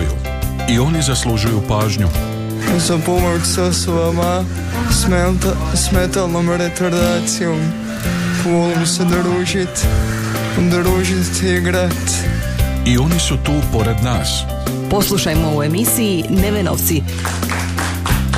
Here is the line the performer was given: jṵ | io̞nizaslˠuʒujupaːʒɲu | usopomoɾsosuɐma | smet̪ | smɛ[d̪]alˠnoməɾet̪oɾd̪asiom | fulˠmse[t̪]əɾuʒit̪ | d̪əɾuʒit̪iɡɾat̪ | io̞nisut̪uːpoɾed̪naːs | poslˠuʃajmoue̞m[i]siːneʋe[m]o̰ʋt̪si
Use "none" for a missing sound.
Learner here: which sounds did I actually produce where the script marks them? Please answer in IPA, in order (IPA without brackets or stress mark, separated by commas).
t̪, d̪, i, n